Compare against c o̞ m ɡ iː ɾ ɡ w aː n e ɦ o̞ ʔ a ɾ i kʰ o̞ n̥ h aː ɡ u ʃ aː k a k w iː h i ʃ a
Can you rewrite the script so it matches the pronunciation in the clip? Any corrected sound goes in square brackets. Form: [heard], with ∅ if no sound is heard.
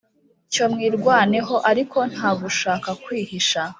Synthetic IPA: c o̞ m [ŋ] iː ɾ ɡ w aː n e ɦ o̞ ʔ a ɾ i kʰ o̞ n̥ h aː ɡ u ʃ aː k a k w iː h i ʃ a

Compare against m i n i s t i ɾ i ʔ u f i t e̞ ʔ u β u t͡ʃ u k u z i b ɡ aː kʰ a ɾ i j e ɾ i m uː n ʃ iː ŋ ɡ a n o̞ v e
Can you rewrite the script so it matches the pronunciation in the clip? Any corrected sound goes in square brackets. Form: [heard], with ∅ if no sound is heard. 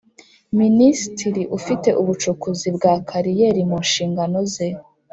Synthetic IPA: m i n i s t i ɾ i ʔ u f i t e̞ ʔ u β u t͡ʃ u k u z i b ɡ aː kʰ a ɾ i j e ɾ i m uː n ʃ iː ŋ ɡ a n o̞ [z] e

